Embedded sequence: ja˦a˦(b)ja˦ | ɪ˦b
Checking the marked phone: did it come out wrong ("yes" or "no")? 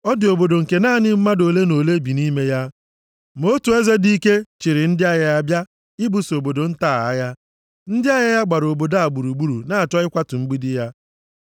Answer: no